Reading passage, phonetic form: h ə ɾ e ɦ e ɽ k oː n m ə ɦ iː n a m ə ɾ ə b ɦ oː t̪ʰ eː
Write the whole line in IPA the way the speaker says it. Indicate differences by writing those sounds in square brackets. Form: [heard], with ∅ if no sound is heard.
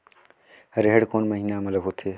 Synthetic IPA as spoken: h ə ɾ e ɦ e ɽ k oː n m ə ɦ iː n a m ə [l] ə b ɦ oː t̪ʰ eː